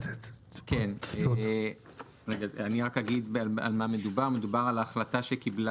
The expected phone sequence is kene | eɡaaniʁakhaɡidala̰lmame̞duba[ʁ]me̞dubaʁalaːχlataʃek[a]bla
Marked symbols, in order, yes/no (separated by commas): yes, no